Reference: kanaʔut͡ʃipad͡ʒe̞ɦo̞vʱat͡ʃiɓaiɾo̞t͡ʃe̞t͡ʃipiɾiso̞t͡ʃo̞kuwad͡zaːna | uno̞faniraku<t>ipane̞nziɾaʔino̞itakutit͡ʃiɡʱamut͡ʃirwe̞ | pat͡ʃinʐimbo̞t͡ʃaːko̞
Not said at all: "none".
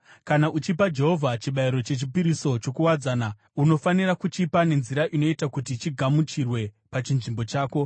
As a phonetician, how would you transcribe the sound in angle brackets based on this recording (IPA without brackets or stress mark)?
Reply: t͡ʃ